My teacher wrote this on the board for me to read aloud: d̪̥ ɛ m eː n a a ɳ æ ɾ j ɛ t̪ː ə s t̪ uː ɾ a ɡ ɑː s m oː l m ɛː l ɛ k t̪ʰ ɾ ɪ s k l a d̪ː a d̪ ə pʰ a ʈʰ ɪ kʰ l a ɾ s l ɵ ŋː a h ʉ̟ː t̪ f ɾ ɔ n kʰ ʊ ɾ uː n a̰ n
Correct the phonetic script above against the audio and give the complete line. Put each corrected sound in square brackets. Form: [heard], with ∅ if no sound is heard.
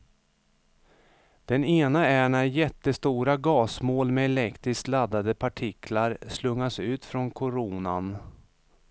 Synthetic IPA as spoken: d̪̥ ɛ [n] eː n a [æ] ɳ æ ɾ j ɛ t̪ː ə s t̪ uː ɾ a ɡ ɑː s m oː l m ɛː l ɛ k [t̪] ɾ ɪ s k l a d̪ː a d̪ ə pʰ a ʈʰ ɪ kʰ l a ɾ s l ɵ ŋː a [s] ʉ̟ː t̪ f ɾ ɔ n kʰ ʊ ɾ uː n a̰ n

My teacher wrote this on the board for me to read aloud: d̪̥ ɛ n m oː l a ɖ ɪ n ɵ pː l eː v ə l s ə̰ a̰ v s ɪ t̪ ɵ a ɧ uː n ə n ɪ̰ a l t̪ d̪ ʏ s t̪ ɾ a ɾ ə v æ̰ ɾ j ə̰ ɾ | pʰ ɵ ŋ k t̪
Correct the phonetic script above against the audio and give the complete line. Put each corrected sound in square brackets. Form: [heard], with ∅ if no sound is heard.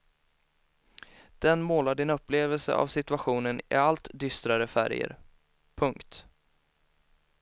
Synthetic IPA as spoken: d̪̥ ɛ n m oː l a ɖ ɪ n ɵ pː l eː v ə l s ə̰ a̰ v s ɪ t̪ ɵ a ɧ uː n ə n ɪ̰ a l t̪ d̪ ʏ s t̪ ɾ a ɾ ə [f] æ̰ ɾ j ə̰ ɾ | pʰ ɵ ŋ k t̪

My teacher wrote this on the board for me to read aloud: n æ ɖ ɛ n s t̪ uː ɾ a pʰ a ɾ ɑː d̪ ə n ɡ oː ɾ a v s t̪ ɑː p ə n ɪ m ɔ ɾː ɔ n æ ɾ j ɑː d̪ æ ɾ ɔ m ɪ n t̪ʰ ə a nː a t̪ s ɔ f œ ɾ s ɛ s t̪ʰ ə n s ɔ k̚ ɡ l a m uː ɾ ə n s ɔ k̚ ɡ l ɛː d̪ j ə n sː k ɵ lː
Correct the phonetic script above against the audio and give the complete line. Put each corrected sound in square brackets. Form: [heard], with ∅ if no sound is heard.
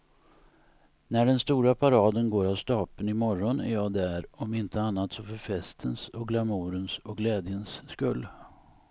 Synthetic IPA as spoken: n æ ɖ ɛ n s t̪ uː ɾ a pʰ a ɾ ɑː d̪ ə n ɡ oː ɾ a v s t̪ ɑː p ə n ɪ m ɔ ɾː ɔ n æ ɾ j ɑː d̪ æ ɾ ɔ m ɪ n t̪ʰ ə a nː a t̪ s ɔ f œ ɾ [f] ɛ s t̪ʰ ə n s ɔ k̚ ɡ l a m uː ɾ ə n s ɔ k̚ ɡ l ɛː d̪ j ə n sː k ɵ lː

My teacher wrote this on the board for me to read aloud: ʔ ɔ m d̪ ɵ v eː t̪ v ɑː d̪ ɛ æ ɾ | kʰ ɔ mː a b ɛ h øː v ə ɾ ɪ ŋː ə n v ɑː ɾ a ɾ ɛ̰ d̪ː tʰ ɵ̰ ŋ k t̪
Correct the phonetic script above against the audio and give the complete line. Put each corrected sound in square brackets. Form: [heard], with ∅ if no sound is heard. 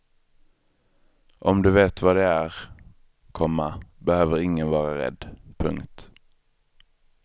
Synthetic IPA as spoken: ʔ ɔ m d̪ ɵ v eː t̪ v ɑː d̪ ɛ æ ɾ | kʰ ɔ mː a b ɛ h øː v ə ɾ ɪ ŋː ə n v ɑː ɾ a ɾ ɛ̰ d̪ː [pʰ] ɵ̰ ŋ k t̪

